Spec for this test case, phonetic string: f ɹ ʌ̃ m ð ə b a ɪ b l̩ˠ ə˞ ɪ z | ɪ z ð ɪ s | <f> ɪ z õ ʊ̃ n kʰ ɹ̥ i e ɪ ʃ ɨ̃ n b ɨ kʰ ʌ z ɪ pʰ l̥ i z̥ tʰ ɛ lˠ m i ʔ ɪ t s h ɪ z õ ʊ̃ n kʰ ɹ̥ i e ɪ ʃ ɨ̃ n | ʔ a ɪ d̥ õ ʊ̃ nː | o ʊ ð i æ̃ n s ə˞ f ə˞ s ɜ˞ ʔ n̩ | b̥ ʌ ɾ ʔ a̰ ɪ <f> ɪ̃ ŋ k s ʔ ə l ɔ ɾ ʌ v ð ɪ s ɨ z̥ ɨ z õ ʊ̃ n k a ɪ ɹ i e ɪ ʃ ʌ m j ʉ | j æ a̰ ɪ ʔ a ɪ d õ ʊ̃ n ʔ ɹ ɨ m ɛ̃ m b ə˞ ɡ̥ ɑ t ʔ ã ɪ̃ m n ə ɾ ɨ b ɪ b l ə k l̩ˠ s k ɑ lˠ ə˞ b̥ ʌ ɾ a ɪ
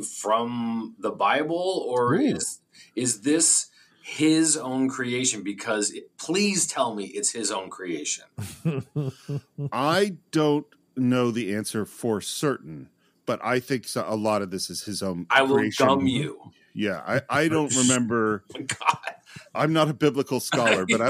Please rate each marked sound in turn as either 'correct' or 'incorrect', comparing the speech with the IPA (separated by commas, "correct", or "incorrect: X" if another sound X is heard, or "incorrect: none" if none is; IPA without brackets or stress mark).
incorrect: h, incorrect: θ